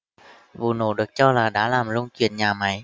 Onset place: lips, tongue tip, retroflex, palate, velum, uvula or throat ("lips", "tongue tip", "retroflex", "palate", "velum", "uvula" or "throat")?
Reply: lips